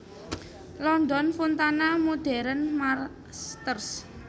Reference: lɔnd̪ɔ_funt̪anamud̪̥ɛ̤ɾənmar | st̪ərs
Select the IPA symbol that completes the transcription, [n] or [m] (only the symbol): n